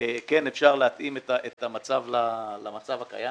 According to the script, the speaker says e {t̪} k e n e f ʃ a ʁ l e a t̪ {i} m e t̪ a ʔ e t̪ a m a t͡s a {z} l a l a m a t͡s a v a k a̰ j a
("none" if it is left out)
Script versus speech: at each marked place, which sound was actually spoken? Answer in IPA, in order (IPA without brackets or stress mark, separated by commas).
none, i, v